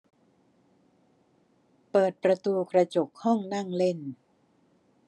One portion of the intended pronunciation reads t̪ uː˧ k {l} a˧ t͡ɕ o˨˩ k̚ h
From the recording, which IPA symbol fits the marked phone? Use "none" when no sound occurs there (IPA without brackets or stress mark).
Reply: ɾ